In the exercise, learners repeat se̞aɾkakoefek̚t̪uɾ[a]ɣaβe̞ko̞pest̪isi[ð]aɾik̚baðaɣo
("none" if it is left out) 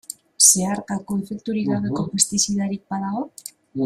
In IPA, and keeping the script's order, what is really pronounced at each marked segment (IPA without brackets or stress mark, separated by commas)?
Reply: i, ð